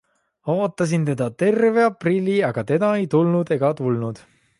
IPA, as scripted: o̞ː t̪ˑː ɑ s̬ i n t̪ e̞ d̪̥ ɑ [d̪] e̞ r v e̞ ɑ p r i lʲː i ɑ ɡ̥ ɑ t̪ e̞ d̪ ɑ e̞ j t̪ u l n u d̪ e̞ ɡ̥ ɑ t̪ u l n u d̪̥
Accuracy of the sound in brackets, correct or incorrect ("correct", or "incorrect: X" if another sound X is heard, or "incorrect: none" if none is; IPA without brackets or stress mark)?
incorrect: t̪